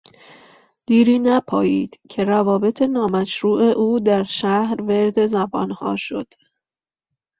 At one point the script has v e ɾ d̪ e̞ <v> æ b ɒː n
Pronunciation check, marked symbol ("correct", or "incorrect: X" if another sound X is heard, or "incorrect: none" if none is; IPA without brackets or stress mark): incorrect: z